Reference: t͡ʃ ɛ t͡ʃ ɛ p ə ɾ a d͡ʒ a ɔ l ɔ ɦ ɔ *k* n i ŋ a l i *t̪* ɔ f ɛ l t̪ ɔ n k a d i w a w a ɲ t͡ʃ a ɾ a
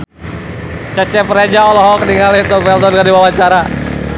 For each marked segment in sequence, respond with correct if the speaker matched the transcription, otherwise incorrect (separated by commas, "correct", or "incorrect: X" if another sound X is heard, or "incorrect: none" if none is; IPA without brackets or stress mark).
correct, correct